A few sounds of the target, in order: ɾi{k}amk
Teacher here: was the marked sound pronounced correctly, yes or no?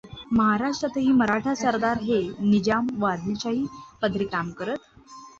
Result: yes